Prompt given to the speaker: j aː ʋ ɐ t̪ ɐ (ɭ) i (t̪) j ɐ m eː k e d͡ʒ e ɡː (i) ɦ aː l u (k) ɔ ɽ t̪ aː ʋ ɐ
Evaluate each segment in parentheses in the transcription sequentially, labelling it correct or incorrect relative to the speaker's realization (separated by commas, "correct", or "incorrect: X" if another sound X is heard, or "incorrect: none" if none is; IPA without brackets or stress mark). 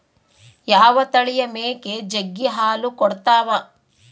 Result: correct, incorrect: none, correct, correct